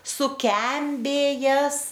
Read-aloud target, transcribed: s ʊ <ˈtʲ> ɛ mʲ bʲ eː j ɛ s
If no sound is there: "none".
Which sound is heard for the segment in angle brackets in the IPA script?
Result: kʲ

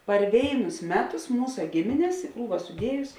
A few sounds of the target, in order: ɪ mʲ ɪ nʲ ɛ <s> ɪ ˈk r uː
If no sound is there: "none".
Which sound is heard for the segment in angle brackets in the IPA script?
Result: s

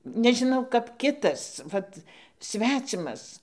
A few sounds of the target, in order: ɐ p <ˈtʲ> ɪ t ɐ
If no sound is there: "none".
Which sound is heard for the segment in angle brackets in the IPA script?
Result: kʲ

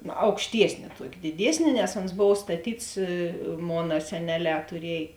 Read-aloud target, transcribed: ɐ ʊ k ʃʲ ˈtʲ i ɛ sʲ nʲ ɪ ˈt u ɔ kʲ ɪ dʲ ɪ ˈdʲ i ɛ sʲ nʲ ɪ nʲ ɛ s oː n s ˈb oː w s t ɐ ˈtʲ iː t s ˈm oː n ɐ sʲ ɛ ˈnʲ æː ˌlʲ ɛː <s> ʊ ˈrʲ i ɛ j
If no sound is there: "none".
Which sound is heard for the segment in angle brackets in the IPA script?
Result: t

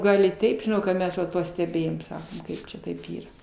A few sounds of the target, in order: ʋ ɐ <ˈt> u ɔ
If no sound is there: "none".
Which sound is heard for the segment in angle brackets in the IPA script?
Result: t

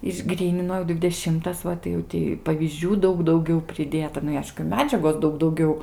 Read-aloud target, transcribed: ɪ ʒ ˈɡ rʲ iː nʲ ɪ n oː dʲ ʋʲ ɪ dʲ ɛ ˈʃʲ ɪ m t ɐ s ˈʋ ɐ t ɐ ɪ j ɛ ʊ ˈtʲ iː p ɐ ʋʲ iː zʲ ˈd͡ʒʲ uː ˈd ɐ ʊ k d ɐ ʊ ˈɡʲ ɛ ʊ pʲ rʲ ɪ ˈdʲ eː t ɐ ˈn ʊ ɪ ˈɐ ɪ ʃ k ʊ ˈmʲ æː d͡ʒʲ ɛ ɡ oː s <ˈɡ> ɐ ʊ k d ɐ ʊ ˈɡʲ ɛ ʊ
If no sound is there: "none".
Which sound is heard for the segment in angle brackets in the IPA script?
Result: d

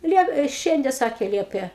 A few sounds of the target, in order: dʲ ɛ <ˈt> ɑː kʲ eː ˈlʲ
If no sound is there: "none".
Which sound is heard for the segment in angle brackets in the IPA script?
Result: s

